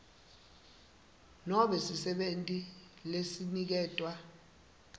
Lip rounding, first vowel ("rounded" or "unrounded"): rounded